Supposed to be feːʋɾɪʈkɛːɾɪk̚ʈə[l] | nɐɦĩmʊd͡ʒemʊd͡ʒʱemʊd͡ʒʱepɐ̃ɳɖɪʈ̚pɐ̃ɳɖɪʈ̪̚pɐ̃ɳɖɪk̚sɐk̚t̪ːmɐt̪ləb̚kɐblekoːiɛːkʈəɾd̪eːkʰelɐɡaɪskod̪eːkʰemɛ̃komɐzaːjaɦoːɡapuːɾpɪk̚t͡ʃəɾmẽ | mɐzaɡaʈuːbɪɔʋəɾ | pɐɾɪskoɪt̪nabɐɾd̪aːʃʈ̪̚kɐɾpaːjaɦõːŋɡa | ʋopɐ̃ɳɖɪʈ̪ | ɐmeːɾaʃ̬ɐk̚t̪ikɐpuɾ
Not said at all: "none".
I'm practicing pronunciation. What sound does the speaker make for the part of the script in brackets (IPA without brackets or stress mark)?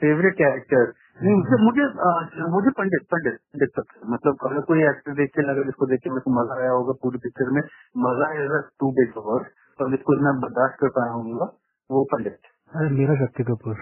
ɾ